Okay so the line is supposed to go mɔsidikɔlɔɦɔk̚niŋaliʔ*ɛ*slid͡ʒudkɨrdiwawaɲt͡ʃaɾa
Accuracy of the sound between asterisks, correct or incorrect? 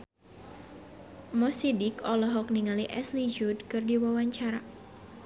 correct